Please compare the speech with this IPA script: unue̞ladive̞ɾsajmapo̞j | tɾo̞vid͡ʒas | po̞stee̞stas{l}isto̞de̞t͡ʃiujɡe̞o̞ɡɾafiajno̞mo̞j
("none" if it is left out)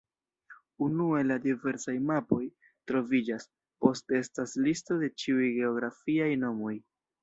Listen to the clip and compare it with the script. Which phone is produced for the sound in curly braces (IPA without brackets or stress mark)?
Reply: l